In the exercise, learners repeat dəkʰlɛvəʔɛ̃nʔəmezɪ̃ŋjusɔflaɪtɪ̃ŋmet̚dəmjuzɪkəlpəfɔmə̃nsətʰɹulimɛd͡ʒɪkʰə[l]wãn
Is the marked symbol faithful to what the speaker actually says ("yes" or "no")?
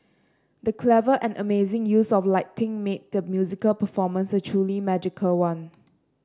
yes